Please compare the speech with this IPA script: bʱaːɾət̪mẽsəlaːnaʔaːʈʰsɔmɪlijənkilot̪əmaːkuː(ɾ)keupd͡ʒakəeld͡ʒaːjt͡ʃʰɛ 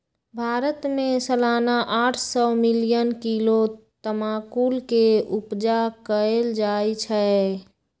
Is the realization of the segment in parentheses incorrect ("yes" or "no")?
yes